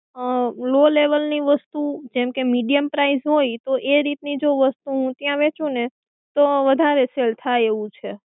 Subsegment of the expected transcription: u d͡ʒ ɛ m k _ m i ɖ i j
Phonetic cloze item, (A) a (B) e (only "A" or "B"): B